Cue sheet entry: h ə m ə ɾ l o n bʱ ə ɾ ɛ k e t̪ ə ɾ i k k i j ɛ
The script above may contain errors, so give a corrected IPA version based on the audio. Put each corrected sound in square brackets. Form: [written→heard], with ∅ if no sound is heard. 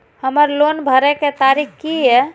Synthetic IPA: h ə m ə ɾ l o n bʱ ə ɾ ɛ k e t̪ [ə→a] ɾ i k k i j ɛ